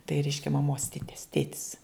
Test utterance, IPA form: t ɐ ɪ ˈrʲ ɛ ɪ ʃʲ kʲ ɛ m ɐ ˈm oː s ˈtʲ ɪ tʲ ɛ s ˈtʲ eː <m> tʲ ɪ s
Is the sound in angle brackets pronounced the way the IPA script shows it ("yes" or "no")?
no